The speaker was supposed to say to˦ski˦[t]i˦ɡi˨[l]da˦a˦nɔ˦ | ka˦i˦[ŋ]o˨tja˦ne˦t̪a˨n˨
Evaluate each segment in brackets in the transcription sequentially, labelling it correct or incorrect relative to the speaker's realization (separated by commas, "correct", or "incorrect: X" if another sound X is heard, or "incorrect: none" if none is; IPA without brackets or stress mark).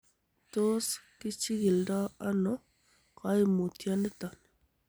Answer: incorrect: t͡ʃ, correct, incorrect: m